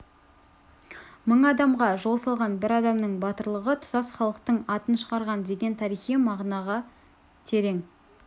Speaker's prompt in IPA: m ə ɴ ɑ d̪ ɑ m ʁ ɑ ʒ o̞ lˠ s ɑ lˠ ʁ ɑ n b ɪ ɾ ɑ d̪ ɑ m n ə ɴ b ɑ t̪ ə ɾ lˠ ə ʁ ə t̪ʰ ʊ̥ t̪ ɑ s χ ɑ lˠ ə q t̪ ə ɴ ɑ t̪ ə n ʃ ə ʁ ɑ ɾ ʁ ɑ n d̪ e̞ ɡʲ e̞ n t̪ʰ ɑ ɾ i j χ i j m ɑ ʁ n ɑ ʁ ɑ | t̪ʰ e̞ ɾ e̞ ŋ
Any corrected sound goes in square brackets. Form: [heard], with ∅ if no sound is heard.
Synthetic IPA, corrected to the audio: m ə ɴ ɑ d̪ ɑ m ʁ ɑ ʒ o̞ lˠ s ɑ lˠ ʁ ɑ n b ɪ ɾ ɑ d̪ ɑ m n ə ɴ b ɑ t̪ ə ɾ lˠ ə ʁ ə t̪ʰ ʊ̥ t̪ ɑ s χ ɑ lˠ ə q t̪ ə ɴ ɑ t̪ ə n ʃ ə ʁ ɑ ɾ ʁ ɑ n d̪ e̞ ɡʲ e̞ n t̪ʰ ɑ ɾ i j χ i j m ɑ ʁ n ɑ ʁ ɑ | t̪ʰ e̞ ɾ e̞ ŋ